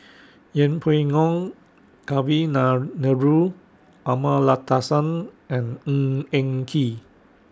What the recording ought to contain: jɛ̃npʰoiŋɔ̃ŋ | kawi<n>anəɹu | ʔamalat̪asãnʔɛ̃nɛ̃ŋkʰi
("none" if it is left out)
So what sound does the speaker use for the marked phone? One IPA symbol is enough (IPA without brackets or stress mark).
n